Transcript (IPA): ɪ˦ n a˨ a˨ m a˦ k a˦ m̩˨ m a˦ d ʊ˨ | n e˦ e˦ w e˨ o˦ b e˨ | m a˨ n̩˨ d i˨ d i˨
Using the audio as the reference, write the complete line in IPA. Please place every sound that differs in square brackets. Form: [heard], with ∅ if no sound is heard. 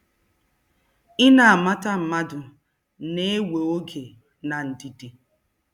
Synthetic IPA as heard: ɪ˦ n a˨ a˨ m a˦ [t] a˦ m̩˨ m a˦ d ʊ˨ | n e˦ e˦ w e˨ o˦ [ɡ] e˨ | [n] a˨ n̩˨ d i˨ d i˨